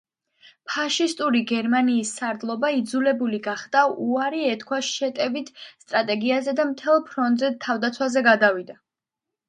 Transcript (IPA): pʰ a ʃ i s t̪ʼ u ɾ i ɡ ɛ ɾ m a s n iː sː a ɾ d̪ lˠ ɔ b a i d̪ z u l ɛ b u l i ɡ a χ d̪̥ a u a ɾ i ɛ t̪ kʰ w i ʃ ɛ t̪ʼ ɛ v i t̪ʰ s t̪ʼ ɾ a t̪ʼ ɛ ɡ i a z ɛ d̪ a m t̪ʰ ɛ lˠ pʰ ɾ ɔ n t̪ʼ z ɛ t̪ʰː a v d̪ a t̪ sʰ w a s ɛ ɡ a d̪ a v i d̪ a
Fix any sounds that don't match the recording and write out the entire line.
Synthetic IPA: pʰ a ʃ i s t̪ʼ u ɾ i ɡ ɛ ɾ m a n iː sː a ɾ d̪ lˠ ɔ b a i d̪ z u l ɛ b u l i ɡ a χ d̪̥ a u a ɾ i ɛ t̪ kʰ w a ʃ ɛ t̪ʼ ɛ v i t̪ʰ s t̪ʼ ɾ a t̪ʼ ɛ ɡ i a z ɛ d̪ a m t̪ʰ ɛ lˠ pʰ ɾ ɔ n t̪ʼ z ɛ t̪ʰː a v d̪ a t̪ sʰ w a z ɛ ɡ a d̪ a v i d̪ a